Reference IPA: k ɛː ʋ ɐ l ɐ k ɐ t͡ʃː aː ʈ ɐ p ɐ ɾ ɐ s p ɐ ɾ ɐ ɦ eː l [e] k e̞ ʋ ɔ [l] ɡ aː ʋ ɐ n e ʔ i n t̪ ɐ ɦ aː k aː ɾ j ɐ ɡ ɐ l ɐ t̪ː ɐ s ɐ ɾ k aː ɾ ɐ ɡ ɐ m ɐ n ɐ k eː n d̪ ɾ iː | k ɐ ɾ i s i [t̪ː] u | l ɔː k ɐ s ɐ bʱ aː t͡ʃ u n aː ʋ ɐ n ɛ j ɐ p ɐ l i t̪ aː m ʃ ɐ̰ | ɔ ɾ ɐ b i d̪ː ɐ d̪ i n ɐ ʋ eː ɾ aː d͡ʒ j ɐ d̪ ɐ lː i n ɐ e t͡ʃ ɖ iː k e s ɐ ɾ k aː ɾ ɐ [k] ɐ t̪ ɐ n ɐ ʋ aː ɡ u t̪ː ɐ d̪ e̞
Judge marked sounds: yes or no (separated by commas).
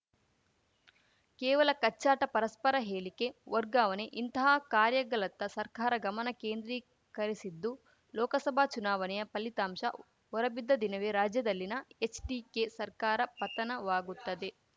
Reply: no, no, no, no